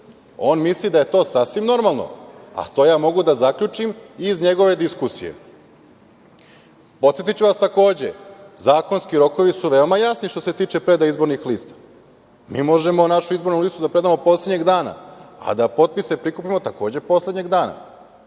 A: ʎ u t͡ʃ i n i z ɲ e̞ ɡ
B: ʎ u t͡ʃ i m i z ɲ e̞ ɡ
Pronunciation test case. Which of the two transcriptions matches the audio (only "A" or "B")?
B